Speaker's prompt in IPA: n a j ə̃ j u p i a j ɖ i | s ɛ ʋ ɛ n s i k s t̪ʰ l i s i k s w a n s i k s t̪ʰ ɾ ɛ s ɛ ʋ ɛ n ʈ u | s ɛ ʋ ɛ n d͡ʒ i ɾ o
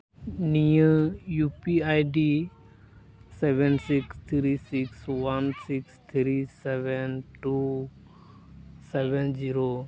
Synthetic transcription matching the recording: n i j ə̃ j u p i a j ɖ i | s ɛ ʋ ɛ n s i k s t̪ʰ ɾ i s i k s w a n s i k s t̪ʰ ɾ i s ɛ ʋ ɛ n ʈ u | s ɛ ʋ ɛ n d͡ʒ i ɾ o